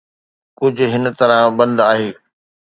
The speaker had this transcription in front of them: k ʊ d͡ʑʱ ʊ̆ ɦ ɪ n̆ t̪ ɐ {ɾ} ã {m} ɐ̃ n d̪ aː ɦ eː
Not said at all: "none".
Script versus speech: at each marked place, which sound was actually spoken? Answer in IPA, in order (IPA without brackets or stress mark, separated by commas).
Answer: ɾ, b